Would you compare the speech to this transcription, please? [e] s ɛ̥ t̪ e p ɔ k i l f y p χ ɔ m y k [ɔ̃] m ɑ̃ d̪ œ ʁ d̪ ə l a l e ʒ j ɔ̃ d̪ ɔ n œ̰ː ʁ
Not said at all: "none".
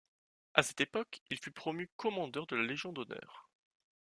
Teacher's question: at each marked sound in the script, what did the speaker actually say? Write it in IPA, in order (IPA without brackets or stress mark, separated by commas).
a, ɔ